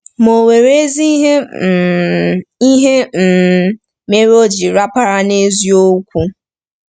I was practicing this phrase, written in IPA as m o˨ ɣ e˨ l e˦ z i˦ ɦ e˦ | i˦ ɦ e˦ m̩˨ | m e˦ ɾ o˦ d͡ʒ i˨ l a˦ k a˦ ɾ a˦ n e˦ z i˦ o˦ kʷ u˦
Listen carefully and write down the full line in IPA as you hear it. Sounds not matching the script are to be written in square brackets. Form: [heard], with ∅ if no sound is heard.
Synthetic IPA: m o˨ [w] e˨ [ɾ] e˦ z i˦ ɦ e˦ | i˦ ɦ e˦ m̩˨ | m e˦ ɾ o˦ d͡ʒ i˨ [ɾ] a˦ [p] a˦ ɾ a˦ n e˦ z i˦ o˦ kʷ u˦